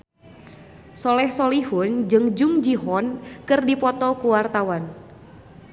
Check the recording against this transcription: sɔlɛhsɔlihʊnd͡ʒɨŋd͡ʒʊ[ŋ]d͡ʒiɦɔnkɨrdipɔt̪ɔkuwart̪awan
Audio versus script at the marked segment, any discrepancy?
no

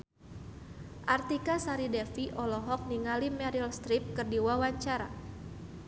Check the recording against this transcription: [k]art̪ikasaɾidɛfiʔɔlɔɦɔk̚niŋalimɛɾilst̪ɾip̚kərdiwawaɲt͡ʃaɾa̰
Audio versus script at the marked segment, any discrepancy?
yes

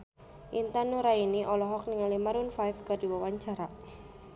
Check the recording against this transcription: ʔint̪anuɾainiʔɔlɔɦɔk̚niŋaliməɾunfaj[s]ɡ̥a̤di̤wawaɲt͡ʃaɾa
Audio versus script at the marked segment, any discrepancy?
yes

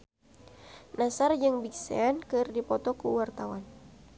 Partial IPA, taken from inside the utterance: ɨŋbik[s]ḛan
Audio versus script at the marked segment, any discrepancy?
no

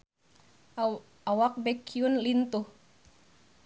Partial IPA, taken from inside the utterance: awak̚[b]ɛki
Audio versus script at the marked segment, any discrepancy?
no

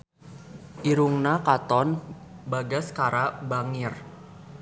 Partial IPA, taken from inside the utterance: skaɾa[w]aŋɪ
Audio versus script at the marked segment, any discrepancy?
yes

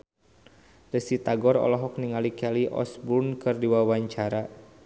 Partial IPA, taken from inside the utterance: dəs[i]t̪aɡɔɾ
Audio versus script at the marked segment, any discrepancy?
no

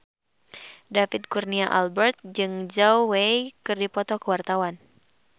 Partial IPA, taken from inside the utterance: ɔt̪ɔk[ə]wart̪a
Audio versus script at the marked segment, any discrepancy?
no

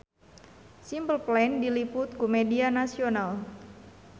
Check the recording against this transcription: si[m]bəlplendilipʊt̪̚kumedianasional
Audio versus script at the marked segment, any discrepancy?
no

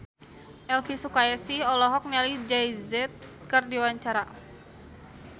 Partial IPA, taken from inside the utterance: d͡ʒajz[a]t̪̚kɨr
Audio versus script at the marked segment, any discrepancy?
yes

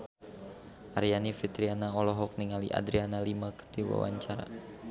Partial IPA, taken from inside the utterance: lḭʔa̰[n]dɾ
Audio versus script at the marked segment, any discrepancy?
yes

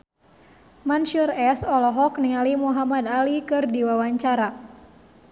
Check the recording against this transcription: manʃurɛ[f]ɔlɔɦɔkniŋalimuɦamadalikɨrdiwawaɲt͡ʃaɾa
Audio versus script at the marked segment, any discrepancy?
yes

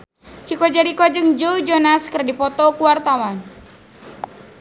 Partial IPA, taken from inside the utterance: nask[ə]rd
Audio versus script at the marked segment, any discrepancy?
no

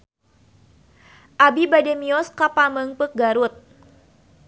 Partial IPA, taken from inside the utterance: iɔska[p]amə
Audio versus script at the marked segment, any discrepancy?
no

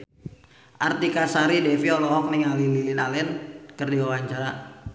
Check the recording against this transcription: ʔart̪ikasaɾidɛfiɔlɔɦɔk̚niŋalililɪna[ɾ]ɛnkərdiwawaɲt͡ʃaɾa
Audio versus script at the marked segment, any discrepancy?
yes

